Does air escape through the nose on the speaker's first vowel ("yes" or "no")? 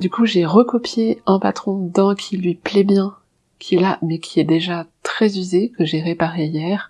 no